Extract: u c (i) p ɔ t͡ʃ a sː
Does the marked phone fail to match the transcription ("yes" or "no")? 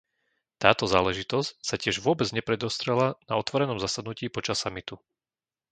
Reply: yes